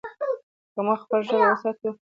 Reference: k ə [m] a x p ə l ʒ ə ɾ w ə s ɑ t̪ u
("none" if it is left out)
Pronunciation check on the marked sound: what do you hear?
m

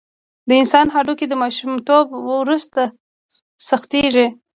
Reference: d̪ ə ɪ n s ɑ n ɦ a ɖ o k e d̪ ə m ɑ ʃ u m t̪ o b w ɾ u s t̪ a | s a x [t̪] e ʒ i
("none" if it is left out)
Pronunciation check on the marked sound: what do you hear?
t̪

